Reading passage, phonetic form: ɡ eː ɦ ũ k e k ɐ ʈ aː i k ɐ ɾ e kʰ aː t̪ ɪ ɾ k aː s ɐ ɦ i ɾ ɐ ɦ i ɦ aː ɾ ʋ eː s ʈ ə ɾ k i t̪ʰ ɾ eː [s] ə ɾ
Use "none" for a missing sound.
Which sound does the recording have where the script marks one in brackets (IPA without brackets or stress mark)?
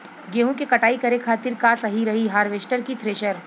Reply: ʃ